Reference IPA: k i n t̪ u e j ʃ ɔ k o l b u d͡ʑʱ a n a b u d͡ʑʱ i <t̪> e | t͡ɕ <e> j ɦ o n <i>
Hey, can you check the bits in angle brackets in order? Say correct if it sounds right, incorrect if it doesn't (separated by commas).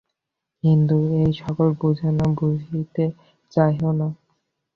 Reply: correct, incorrect, incorrect